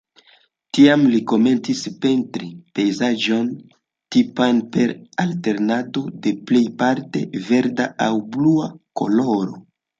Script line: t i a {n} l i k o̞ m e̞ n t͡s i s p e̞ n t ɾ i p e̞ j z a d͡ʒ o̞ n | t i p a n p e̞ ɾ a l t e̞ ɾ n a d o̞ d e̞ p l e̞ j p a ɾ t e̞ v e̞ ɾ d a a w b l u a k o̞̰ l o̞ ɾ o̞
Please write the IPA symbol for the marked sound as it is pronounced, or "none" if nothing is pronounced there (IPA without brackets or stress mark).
m